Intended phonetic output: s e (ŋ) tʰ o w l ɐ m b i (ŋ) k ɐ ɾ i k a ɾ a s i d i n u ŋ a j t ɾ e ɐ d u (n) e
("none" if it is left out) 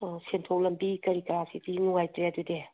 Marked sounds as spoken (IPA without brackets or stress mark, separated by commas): n, none, d